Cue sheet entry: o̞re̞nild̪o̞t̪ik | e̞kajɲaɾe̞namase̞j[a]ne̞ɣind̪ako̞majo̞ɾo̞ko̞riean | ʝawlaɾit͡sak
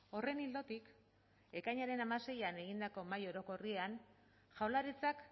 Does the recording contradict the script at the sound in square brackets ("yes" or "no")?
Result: no